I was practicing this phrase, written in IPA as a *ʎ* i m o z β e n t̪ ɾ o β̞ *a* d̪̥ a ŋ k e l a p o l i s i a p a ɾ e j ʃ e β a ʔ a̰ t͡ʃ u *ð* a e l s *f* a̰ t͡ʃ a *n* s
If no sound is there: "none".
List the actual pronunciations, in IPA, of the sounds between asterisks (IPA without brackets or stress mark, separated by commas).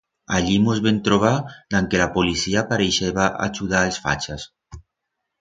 ʎ, a, ð, f, none